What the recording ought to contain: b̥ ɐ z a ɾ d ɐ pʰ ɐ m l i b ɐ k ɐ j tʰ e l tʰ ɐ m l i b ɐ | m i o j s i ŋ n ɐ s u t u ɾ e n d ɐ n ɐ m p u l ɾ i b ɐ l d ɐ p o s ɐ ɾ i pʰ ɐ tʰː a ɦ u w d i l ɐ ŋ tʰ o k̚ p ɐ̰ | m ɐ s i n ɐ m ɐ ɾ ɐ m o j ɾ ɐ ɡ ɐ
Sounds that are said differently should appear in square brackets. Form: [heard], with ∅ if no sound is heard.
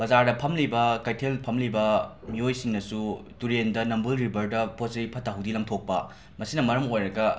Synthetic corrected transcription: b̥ ɐ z a ɾ d ɐ pʰ ɐ m l i b ɐ k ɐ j tʰ e l [pʰ] ɐ m l i b ɐ | m i o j s i ŋ n ɐ s u t u ɾ e n d ɐ n ɐ m [b] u l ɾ i b ɐ [ɾ] d ɐ p o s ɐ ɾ i pʰ ɐ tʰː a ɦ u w d i l ɐ ŋ tʰ o k̚ p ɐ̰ | m ɐ s i n ɐ m ɐ ɾ ɐ m o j ɾ ɐ ɡ ɐ